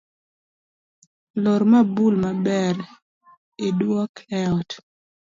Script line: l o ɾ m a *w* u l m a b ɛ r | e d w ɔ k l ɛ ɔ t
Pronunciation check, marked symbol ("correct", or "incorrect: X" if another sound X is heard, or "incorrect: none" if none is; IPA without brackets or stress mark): incorrect: b